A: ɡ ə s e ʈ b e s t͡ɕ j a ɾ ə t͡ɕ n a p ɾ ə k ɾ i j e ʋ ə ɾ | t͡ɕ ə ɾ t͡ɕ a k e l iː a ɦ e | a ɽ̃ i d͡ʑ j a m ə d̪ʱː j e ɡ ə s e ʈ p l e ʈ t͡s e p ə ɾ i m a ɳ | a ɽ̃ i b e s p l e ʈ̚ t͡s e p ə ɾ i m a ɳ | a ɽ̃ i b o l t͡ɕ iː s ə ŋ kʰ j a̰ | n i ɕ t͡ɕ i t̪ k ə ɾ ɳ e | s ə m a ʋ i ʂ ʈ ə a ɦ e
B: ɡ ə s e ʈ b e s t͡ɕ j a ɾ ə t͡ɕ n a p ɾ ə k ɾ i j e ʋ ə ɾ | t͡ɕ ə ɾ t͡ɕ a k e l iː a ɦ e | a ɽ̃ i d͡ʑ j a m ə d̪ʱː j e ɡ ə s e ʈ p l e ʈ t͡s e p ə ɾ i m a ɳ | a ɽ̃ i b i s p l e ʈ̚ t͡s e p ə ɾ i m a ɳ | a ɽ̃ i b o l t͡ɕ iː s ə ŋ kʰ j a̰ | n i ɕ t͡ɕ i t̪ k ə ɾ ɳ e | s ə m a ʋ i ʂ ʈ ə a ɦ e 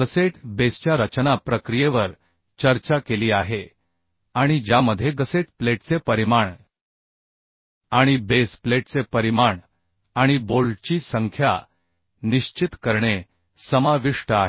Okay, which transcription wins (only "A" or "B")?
A